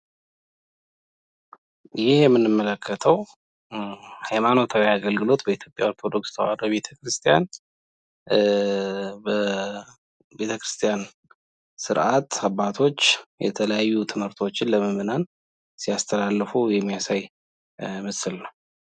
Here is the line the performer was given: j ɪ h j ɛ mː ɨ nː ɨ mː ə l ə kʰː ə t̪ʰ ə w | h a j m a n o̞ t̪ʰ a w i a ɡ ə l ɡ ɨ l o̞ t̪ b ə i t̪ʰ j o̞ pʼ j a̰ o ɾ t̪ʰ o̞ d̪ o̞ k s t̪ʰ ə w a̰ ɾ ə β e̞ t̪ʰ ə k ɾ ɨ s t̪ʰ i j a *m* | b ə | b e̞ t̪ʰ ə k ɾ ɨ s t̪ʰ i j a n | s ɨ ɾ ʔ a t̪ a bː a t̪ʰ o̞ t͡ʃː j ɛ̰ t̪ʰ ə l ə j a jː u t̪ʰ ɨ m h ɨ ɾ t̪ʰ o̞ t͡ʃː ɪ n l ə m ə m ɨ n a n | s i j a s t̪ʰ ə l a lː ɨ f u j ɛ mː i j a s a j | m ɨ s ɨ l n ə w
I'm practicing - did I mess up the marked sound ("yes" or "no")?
yes